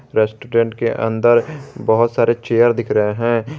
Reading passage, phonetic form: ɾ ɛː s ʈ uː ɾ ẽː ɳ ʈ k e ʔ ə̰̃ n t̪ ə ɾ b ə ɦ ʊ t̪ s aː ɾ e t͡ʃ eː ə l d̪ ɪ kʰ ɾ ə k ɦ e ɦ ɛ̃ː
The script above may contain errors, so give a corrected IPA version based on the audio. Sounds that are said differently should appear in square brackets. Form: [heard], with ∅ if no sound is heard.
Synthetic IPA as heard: ɾ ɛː s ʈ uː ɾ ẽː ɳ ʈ k e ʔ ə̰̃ n [d̪] ə ɾ b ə ɦ ʊ t̪ s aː ɾ e t͡ʃ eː ə [ɾ] d̪ ɪ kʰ ɾ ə [∅] ɦ e ɦ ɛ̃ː